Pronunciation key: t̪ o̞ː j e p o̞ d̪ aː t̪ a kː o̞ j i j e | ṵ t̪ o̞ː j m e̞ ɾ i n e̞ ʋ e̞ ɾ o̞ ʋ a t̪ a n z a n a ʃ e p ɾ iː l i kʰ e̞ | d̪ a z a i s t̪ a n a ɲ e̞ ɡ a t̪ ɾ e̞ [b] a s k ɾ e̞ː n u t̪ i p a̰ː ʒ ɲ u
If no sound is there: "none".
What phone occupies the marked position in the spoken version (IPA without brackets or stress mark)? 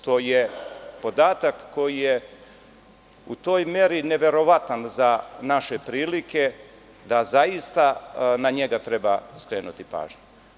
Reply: b